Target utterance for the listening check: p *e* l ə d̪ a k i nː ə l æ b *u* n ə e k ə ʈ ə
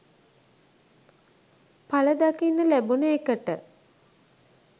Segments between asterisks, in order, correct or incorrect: incorrect, correct

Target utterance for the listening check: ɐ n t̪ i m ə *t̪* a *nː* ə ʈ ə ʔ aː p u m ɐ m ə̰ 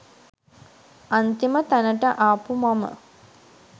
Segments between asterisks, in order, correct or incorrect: correct, incorrect

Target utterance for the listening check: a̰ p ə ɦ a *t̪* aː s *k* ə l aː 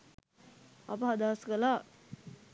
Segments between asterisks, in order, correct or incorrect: incorrect, correct

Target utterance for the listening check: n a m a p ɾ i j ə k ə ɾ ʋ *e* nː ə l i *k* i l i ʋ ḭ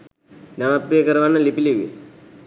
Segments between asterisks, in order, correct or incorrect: incorrect, incorrect

